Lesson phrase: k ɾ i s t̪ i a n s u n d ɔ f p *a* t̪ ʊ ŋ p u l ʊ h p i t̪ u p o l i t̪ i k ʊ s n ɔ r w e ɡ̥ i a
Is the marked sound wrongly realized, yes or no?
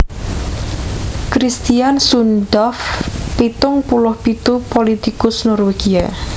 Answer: yes